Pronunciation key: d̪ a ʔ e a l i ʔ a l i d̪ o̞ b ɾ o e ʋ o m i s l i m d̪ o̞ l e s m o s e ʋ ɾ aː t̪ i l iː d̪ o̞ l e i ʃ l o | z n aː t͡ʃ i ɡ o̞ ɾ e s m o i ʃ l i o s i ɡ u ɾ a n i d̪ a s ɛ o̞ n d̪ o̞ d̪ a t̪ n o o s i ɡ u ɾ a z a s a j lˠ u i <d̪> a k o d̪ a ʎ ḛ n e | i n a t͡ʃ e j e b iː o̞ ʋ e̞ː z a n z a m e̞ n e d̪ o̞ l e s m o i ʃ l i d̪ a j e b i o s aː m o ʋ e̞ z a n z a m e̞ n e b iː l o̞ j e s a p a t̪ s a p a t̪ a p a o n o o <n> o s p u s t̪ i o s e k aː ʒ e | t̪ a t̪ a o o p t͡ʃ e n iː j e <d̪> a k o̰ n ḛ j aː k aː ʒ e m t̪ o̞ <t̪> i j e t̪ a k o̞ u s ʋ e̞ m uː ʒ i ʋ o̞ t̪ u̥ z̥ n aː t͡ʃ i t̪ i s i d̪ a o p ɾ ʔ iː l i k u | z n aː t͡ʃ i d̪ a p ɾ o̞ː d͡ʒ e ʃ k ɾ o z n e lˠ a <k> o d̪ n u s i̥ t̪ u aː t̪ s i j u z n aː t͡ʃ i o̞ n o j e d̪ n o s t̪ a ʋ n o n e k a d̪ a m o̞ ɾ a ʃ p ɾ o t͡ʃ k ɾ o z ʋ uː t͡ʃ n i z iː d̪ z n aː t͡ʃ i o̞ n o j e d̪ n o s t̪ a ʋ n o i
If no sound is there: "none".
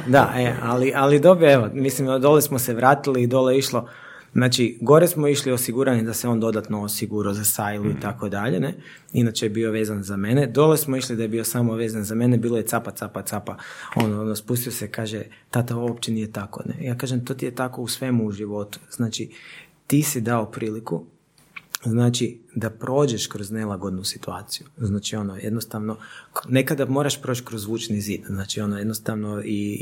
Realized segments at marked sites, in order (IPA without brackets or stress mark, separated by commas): t̪, n, t̪, t̪, ɡ